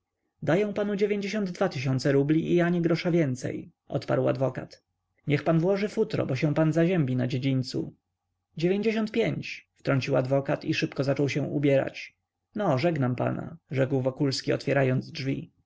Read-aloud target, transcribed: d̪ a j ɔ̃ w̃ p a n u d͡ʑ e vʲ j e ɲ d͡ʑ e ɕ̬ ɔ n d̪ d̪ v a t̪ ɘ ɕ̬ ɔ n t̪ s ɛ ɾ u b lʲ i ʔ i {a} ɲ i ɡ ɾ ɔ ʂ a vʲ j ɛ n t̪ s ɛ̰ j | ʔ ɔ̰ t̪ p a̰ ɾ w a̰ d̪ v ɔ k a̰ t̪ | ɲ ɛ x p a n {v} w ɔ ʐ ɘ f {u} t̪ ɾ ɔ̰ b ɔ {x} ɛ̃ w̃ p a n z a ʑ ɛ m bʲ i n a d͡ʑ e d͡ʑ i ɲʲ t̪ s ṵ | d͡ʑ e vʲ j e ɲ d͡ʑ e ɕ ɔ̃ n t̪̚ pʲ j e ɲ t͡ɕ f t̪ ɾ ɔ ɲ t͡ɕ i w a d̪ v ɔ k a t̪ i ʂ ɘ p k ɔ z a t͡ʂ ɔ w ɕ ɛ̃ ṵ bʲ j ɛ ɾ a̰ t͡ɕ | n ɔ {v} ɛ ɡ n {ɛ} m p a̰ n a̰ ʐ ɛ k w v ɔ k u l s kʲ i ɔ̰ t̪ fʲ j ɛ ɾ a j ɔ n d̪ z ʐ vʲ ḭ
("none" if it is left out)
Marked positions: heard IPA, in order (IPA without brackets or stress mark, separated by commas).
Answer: a, v, u, ɕ, ʐ, a